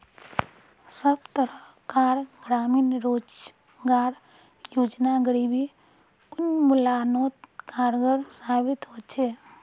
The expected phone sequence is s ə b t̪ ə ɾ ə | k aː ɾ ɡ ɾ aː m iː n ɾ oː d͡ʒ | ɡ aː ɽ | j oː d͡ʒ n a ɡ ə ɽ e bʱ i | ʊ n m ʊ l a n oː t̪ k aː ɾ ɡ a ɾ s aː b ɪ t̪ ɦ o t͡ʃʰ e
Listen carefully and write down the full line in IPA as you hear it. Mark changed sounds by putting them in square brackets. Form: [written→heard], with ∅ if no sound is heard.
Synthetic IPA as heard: s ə b t̪ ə ɾ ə | k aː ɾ ɡ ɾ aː m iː n ɾ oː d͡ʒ | ɡ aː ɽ | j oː d͡ʒ n a ɡ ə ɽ [e→i] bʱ i | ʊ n m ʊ l a n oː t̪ k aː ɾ ɡ [a→ə] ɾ s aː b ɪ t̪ ɦ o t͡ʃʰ e

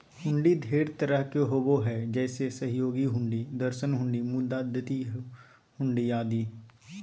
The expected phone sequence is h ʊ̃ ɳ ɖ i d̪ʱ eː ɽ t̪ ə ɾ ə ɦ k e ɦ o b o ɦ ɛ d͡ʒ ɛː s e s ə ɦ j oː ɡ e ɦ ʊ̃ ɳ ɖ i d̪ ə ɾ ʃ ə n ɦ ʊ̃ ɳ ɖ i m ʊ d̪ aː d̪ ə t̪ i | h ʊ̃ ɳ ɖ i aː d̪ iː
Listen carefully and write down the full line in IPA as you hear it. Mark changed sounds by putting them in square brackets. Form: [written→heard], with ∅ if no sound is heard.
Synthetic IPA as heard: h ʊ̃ ɳ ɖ i d̪ʱ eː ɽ t̪ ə ɾ ə ɦ k e ɦ o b o ɦ ɛ d͡ʒ ɛː s e s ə ɦ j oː ɡ [e→i] ɦ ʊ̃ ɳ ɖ i d̪ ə ɾ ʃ ə n ɦ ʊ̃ ɳ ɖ i m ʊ d̪ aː d̪ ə t̪ i | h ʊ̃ ɳ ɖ i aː d̪ iː

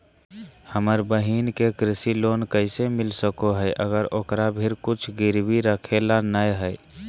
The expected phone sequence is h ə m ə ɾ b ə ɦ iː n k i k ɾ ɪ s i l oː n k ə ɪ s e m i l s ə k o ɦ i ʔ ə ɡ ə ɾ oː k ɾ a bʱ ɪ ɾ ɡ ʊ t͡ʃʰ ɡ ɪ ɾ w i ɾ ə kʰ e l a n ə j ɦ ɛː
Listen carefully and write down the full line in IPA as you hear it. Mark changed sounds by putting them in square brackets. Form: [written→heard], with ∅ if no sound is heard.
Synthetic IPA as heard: h ə m ə ɾ b ə ɦ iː n k [i→e] k ɾ ɪ s i l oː n k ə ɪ s e m [i→ɪ] l s ə k o ɦ [i→ɛ] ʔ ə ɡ ə ɾ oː k ɾ a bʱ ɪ ɾ [ɡ→k] ʊ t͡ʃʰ ɡ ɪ ɾ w i ɾ ə kʰ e l a n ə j ɦ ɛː

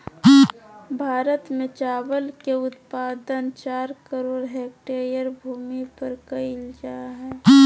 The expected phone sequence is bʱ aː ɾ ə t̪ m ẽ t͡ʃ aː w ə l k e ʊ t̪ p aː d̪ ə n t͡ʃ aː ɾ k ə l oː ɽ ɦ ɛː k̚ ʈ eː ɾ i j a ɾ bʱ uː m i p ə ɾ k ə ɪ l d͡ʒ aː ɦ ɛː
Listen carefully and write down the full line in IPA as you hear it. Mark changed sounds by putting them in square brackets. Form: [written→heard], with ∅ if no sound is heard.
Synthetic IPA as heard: bʱ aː ɾ ə t̪ m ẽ t͡ʃ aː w ə l k e ʊ t̪ p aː d̪ ə n t͡ʃ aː ɾ k ə [l→ɾ] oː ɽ ɦ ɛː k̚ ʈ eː ɾ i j [a→ə] ɾ bʱ uː m i p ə ɾ k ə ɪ l d͡ʒ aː ɦ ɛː

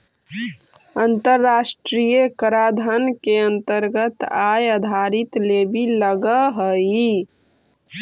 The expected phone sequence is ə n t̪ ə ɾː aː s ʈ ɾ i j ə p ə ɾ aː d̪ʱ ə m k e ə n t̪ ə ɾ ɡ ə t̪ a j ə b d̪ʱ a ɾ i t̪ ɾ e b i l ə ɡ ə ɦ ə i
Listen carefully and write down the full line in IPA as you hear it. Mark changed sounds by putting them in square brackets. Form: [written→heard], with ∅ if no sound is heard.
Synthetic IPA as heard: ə n t̪ ə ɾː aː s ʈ ɾ i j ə [p→k] ə ɾ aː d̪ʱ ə [m→n] k e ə n t̪ ə ɾ ɡ ə t̪ a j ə [b→∅] d̪ʱ a ɾ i t̪ [ɾ→l] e b i l ə ɡ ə ɦ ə i

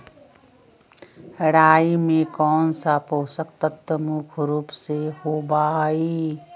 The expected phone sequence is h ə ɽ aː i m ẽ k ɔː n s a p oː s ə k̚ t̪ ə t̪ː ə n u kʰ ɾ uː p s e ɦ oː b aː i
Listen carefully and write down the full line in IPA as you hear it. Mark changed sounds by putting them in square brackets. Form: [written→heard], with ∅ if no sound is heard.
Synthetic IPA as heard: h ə ɽ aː i m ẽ k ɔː n s a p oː s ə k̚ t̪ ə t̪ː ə [n→m] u kʰ ɾ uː p s e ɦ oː b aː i

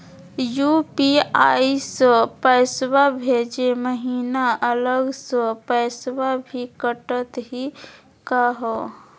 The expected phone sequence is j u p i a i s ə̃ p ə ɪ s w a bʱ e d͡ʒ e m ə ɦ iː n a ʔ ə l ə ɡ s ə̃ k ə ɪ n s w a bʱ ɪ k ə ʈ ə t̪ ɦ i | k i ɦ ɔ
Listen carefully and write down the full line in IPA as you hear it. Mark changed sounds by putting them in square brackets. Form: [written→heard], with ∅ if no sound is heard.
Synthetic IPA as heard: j u p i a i s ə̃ p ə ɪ s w a bʱ e d͡ʒ e m ə ɦ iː n a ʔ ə l ə ɡ s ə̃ [k→p] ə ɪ [n→∅] s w a bʱ [ɪ→i] k ə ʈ ə t̪ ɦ i | k [i→a] ɦ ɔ

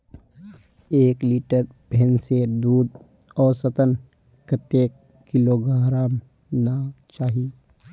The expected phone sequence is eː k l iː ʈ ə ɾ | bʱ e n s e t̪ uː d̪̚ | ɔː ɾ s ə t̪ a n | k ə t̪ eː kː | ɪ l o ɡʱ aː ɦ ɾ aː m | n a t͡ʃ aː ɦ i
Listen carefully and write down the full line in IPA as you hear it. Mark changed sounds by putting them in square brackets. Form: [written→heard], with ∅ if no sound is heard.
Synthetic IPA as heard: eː k l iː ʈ ə ɾ | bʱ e n s e [t̪→d̪] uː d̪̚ | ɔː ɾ s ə t̪ [a→ə] n | k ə t̪ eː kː | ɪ l o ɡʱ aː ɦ ɾ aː m | n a t͡ʃ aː ɦ i

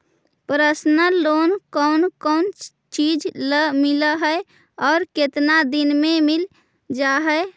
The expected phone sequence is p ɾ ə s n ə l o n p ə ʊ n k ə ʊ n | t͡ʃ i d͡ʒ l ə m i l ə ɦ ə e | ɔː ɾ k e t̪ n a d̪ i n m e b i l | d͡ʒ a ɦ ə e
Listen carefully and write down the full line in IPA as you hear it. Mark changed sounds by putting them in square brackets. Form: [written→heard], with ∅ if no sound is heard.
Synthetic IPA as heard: p ɾ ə s n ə l o n [p→k] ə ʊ n k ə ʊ n | t͡ʃ i d͡ʒ l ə m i l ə ɦ ə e | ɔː ɾ k e t̪ n a d̪ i n m e [b→m] i l | d͡ʒ a ɦ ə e

